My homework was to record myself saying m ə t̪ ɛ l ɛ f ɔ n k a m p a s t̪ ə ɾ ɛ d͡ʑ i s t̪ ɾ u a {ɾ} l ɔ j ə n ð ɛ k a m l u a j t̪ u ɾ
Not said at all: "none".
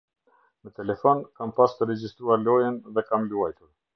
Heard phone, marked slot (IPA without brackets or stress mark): ɾ